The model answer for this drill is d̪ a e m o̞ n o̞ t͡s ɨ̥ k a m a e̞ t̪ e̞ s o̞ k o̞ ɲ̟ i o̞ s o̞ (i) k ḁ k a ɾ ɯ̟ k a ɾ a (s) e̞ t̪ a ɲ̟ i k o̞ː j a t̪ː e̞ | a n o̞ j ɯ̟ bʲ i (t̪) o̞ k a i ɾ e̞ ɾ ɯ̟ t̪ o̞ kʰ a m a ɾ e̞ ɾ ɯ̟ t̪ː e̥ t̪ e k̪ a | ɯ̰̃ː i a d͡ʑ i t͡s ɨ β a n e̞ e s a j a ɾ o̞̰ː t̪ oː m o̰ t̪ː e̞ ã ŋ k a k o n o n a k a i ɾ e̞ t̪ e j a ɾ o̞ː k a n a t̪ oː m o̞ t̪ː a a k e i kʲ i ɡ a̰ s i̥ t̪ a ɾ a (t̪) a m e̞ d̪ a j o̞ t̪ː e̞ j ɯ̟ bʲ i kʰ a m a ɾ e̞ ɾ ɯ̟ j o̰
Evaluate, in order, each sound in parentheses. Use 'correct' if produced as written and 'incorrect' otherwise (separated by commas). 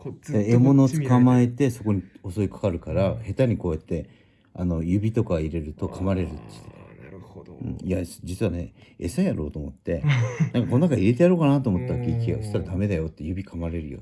correct, incorrect, correct, incorrect